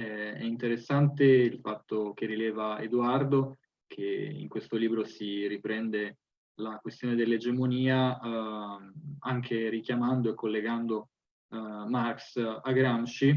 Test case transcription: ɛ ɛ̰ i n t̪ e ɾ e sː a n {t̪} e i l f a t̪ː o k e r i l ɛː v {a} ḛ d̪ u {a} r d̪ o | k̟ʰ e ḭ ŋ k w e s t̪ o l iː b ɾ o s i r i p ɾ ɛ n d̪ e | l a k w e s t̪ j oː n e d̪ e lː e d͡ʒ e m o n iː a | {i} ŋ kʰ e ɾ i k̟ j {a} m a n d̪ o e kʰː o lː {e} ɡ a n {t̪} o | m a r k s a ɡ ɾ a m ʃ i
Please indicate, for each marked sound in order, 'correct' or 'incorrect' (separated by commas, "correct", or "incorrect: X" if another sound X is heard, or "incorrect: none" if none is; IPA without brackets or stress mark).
correct, correct, correct, incorrect: a, correct, correct, incorrect: d̪